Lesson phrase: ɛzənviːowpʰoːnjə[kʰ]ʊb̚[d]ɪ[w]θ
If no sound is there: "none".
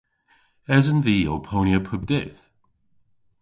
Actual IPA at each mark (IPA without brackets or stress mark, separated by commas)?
pʰ, d, none